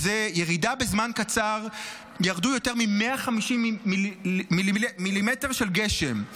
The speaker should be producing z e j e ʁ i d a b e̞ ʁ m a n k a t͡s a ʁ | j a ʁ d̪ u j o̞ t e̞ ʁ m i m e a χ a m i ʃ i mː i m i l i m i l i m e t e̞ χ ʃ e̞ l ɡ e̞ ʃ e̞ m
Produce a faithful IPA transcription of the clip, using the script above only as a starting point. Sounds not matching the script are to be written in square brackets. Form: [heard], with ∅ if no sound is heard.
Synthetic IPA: z e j e ʁ i d a b e̞ [z] m a n k a t͡s a ʁ | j a ʁ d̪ u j o̞ t e̞ ʁ m i m e a χ a m i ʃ i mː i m i l i m i l i m e t e̞ [ʁ] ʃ e̞ l ɡ e̞ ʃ e̞ m